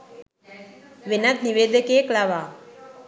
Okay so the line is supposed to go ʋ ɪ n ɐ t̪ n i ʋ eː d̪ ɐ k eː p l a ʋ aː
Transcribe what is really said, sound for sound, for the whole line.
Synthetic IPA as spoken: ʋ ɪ n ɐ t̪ n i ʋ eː d̪ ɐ k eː k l a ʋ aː